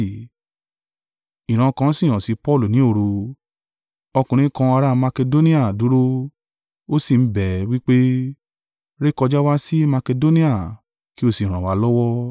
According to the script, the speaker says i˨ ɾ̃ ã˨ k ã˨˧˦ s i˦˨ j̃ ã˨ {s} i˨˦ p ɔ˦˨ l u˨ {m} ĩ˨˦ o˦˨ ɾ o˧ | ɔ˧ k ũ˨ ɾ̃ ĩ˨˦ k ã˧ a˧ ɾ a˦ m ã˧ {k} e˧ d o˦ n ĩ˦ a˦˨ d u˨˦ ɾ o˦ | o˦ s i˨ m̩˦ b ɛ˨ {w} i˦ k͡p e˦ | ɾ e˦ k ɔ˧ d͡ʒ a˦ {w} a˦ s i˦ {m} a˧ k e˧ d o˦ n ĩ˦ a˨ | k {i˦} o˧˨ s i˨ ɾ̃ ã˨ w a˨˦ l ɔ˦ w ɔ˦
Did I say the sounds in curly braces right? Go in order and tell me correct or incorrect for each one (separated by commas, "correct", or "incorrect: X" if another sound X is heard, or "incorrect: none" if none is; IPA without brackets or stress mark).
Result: correct, incorrect: n, correct, correct, correct, correct, correct